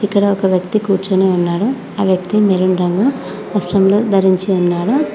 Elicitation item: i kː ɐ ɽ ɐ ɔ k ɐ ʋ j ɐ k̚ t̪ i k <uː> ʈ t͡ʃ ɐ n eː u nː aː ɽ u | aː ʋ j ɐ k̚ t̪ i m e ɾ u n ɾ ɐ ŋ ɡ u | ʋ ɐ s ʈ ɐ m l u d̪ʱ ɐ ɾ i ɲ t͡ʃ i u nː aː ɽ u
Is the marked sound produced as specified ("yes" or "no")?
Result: yes